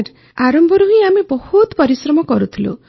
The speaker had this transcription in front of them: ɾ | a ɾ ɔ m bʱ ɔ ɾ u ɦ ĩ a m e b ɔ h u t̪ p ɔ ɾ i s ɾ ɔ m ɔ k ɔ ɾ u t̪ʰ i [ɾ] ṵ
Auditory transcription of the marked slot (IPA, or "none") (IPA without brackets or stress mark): l